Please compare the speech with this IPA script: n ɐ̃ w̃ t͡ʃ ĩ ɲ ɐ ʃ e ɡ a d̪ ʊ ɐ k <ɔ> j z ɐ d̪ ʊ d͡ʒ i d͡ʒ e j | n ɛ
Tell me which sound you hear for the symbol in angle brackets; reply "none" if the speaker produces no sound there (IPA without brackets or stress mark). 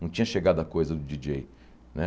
o